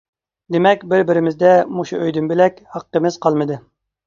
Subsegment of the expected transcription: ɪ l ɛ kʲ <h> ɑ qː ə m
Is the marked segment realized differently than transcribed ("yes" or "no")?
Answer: no